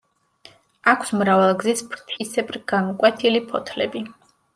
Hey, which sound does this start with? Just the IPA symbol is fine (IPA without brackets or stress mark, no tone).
a